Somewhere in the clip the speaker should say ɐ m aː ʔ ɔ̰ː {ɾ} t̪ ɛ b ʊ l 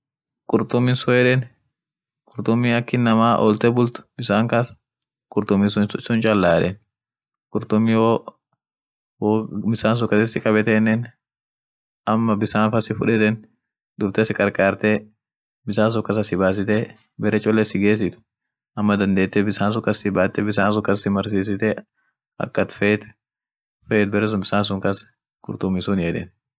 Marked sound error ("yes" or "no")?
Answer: yes